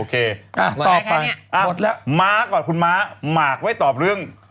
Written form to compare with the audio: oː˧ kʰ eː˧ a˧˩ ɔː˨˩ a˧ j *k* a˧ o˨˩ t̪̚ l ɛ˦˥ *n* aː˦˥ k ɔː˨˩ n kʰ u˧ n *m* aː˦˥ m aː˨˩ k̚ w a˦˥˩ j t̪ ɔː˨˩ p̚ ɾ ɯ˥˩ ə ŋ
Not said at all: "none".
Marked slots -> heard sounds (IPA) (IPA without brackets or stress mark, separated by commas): ʔ, m, m